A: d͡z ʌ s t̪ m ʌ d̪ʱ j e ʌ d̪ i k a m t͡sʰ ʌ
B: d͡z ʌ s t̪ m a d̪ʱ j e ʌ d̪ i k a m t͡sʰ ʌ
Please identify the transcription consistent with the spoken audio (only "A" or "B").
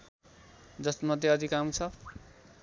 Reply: A